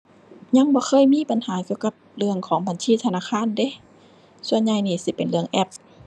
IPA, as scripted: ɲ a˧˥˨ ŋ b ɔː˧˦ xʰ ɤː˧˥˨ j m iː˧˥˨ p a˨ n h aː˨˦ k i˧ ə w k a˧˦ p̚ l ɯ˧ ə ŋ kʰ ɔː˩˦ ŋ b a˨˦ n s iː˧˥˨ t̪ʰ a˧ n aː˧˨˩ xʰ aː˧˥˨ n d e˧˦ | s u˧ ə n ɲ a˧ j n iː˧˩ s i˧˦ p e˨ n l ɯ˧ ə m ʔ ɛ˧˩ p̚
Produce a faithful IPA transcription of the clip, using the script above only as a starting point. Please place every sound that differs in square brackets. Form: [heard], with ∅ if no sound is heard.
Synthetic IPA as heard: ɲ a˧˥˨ ŋ b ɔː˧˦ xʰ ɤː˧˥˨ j m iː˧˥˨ p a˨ n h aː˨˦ k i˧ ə w k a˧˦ p̚ l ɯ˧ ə ŋ kʰ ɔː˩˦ ŋ b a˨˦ n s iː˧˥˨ t̪ʰ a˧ n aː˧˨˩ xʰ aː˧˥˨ n d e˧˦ | s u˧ ə n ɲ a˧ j n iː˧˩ s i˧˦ p e˨ n l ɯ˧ ə [ŋ] ʔ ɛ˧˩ p̚